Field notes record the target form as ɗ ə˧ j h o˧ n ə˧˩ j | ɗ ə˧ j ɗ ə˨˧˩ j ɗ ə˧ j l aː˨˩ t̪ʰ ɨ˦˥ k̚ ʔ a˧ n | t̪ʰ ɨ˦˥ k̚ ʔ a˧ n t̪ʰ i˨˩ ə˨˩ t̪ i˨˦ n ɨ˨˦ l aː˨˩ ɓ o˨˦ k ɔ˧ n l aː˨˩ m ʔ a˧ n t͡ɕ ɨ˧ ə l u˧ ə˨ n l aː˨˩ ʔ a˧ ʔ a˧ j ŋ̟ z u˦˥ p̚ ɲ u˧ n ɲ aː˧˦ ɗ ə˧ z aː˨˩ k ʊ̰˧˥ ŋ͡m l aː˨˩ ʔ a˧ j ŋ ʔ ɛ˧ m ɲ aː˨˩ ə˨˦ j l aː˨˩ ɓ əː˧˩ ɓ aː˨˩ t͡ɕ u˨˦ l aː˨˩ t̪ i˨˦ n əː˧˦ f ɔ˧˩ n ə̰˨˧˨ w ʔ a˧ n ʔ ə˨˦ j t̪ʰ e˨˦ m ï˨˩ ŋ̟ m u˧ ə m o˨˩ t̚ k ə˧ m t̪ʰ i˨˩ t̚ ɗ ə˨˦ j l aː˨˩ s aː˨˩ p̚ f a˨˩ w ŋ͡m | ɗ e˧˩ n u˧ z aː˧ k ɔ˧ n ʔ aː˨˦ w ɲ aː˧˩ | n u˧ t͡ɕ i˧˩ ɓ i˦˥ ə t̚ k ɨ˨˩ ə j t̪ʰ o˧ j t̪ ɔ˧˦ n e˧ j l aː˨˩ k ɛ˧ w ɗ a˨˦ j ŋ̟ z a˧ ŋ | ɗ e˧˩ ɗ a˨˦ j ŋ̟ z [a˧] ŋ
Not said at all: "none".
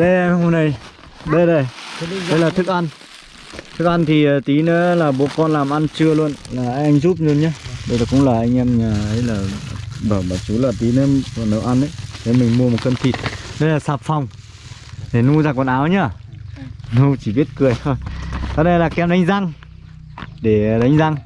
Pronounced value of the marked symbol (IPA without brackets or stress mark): a˧